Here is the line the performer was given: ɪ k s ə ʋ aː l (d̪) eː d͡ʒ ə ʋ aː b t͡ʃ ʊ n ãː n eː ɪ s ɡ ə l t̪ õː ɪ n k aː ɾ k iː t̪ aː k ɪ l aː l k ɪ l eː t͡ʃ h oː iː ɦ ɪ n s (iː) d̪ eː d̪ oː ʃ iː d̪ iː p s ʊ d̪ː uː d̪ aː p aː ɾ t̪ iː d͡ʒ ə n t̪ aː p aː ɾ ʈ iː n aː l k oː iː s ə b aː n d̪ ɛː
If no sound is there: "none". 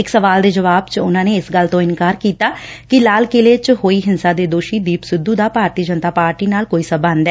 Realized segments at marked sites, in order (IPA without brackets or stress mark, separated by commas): d̪, aː